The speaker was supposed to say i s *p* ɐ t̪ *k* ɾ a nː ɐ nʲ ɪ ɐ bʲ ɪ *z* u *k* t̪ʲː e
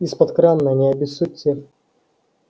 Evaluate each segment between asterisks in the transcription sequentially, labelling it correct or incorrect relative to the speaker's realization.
correct, correct, incorrect: s, incorrect: none

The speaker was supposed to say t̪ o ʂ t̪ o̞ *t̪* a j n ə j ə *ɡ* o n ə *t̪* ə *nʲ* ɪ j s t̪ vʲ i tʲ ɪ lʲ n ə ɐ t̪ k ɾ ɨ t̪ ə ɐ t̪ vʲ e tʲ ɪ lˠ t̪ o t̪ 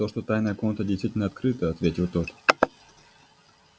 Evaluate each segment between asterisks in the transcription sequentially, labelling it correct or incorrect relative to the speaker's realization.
correct, incorrect: k, correct, incorrect: dʲ

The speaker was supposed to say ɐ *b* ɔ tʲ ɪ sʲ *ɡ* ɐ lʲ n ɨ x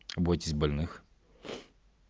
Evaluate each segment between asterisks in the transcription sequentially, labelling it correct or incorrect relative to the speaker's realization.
correct, incorrect: b

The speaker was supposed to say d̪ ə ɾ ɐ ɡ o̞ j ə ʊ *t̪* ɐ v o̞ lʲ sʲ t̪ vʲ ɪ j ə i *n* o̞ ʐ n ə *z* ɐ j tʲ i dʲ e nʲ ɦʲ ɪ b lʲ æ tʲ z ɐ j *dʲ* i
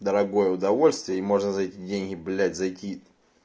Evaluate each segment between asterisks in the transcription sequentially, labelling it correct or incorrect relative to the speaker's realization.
incorrect: d̪, incorrect: m, correct, incorrect: tʲ

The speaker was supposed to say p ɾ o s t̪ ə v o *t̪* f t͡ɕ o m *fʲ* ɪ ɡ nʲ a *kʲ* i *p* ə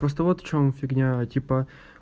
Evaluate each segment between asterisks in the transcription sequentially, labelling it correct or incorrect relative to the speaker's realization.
correct, correct, incorrect: tʲ, correct

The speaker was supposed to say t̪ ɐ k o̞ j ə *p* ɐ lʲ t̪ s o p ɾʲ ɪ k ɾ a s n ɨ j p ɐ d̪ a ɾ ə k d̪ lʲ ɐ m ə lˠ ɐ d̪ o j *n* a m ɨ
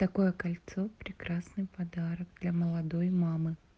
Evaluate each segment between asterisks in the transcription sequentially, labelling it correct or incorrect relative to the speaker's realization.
incorrect: k, incorrect: m

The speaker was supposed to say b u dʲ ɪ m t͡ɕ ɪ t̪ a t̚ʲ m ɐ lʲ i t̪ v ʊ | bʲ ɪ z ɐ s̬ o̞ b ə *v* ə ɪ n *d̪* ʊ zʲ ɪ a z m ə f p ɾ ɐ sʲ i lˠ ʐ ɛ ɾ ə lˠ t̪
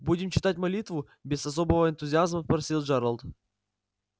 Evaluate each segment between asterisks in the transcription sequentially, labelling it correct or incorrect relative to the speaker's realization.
correct, incorrect: t̪

